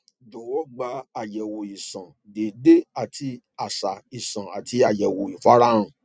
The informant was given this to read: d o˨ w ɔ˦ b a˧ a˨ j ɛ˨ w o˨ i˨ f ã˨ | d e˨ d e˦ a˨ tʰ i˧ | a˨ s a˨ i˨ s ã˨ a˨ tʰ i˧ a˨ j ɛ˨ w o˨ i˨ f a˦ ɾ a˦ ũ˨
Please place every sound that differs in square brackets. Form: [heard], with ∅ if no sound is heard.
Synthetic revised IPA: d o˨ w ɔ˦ [ɡ͡b] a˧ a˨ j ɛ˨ w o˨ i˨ [s] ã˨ | d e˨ d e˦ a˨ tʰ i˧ | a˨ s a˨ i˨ s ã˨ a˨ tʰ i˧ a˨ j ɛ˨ w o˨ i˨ f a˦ ɾ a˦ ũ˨

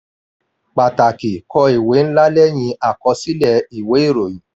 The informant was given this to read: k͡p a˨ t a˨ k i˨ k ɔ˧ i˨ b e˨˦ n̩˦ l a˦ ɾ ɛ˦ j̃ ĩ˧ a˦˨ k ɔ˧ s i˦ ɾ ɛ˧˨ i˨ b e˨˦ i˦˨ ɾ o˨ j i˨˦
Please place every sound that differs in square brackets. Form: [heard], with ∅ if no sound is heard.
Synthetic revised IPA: k͡p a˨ t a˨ k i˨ k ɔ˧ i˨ [w] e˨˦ n̩˦ l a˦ [l] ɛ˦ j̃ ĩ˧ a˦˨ k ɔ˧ s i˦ [l] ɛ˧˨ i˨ [w] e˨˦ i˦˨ ɾ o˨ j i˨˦

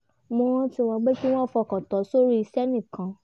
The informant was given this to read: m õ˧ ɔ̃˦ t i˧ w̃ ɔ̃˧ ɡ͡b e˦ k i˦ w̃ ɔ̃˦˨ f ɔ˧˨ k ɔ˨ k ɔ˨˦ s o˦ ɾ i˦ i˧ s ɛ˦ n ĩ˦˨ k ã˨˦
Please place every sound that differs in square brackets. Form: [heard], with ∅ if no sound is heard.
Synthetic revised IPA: m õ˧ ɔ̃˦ t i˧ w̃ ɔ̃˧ ɡ͡b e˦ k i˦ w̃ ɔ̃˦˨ f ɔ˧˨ k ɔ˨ [t] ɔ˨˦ s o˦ ɾ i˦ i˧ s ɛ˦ n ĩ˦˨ k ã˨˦

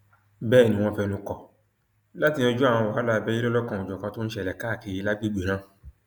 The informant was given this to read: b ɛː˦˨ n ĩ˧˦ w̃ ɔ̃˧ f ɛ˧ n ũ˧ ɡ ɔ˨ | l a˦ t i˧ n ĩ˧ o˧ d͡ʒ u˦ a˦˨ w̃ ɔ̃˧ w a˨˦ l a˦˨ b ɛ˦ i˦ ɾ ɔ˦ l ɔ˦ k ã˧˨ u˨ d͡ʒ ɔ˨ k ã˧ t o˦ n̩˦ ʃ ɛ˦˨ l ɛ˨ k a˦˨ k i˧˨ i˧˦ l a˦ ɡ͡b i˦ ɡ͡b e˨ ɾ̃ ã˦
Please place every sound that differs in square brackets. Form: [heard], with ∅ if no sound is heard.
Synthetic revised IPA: b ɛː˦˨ n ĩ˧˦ w̃ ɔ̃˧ f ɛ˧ n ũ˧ [k] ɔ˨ | l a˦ t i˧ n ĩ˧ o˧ d͡ʒ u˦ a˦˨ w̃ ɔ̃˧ w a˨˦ l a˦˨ b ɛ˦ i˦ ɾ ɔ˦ l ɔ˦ k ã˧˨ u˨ d͡ʒ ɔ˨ k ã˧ t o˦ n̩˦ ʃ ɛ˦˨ l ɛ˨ k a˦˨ k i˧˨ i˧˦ l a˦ ɡ͡b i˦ ɡ͡b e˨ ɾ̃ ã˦

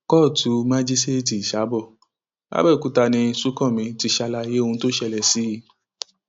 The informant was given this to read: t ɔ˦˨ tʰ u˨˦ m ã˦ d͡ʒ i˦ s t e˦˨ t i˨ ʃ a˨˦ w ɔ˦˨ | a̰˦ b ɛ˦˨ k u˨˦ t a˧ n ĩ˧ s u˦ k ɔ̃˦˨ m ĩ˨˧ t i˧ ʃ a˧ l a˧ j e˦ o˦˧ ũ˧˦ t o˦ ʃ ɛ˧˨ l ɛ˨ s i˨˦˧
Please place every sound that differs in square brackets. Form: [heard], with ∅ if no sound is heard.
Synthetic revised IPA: [k] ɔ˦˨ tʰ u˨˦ m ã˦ d͡ʒ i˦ s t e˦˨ t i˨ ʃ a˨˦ [b] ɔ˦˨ | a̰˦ b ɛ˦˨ k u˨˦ t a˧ n ĩ˧ s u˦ k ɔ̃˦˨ m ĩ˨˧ t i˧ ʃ a˧ l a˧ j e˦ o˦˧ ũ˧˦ t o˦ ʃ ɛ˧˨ l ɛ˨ s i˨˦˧

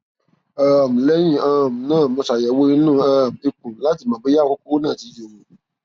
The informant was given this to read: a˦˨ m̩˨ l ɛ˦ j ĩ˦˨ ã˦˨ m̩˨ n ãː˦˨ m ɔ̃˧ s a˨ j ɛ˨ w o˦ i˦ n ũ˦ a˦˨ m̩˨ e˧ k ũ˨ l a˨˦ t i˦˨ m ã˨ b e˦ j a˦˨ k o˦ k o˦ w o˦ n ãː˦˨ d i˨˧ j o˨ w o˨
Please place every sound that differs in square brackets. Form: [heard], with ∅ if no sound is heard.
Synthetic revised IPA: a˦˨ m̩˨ l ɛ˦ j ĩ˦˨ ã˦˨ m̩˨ n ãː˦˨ m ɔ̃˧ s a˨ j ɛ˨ w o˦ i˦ n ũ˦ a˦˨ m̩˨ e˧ k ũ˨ l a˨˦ t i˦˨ m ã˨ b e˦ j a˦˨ k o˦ k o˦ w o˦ n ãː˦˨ [t] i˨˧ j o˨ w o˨

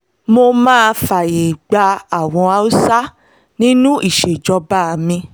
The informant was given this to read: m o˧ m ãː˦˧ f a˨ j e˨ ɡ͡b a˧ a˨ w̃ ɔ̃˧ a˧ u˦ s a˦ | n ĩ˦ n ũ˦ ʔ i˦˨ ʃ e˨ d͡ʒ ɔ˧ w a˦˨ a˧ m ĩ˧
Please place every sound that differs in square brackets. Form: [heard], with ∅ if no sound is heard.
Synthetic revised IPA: m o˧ m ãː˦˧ f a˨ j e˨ ɡ͡b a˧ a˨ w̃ ɔ̃˧ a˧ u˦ s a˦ | n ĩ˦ n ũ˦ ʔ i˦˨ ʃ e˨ d͡ʒ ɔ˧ [b] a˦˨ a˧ m ĩ˧

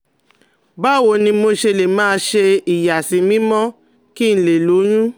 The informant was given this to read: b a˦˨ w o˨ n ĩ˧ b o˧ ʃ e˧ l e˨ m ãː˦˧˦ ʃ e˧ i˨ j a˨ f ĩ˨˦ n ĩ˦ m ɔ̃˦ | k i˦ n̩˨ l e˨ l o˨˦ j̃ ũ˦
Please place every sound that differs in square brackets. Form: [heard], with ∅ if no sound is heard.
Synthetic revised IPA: b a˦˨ w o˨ n ĩ˧ [m] o˧ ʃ e˧ l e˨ m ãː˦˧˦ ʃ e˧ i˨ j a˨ [s] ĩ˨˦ [m] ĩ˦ m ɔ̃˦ | k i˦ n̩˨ l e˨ l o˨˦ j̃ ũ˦

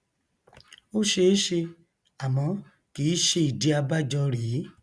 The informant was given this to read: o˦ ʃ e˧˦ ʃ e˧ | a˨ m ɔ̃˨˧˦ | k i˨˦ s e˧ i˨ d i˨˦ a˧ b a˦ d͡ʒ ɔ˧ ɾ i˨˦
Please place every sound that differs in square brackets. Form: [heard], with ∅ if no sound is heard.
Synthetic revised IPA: o˦ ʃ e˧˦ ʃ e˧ | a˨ m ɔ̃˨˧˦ | k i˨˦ [ʃ] e˧ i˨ d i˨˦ a˧ b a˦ d͡ʒ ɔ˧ ɾ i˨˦

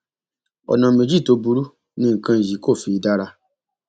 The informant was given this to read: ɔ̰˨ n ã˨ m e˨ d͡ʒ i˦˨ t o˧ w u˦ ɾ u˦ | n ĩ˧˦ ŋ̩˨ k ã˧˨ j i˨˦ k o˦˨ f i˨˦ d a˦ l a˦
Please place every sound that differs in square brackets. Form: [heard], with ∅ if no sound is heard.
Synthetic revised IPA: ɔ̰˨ n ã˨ m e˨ d͡ʒ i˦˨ t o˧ [b] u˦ ɾ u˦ | n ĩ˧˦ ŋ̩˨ k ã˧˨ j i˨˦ k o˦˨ f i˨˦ d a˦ [ɾ] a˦

